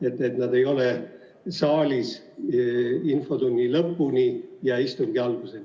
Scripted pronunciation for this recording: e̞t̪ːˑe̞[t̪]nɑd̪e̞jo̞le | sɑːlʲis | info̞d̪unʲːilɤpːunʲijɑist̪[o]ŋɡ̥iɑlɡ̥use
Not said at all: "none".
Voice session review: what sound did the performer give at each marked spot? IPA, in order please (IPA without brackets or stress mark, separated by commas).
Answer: t̪, u